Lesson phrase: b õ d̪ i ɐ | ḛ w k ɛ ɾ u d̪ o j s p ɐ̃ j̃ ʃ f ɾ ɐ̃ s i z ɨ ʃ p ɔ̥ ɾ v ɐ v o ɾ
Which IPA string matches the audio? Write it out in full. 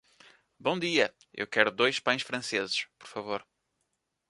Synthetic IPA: b õ d̪ i ɐ | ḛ w k ɛ ɾ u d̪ o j ʃ p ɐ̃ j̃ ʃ f ɾ ɐ̃ s e z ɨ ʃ p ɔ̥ ɾ f ɐ v o ɾ